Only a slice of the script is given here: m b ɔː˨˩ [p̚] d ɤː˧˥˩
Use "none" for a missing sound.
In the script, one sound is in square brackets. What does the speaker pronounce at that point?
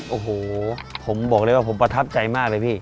k̚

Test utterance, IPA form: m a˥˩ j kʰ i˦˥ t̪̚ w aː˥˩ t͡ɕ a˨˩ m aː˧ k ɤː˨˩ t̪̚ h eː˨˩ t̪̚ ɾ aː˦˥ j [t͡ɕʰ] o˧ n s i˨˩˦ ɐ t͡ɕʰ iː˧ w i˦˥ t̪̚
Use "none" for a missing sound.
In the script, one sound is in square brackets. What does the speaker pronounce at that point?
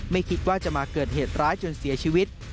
t͡ɕ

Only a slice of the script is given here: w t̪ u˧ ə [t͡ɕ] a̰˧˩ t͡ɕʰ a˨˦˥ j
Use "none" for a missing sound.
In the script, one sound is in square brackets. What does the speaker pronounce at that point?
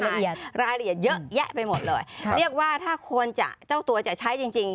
t͡ɕ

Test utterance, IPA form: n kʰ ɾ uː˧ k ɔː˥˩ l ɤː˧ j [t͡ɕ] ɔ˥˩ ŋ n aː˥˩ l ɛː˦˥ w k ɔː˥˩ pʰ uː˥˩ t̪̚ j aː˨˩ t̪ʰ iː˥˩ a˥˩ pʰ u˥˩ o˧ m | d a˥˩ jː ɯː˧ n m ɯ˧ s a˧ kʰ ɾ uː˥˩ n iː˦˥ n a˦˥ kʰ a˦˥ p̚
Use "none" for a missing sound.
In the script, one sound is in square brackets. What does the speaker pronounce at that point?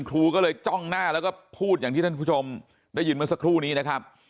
t͡ɕ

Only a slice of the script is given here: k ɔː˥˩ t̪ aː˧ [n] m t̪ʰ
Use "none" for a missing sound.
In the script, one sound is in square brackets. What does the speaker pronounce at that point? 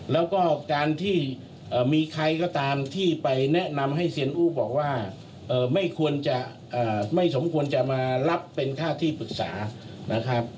none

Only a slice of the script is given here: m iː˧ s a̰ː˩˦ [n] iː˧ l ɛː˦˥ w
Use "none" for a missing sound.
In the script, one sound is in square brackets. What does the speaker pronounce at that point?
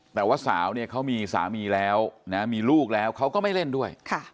m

